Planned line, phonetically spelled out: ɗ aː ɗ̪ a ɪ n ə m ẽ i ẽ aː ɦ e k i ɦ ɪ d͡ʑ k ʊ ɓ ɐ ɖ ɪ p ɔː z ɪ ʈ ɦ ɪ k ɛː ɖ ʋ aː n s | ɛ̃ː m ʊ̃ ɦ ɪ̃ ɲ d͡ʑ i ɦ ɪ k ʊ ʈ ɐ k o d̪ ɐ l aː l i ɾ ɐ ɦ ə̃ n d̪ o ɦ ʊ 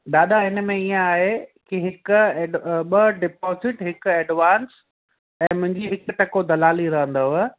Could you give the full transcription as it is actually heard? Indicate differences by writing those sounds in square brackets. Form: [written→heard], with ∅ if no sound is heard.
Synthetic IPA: ɗ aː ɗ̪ a ɪ n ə m ẽ i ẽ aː ɦ e k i ɦ ɪ [d͡ʑ→∅] k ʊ ɓ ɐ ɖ ɪ p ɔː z ɪ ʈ ɦ ɪ k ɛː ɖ ʋ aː n s | ɛ̃ː m ʊ̃ ɦ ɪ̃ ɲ d͡ʑ i ɦ ɪ k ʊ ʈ ɐ k o d̪ ɐ l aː l i ɾ ɐ ɦ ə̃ n d̪ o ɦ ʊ